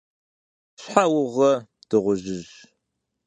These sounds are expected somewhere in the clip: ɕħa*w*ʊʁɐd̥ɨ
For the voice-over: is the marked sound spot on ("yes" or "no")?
yes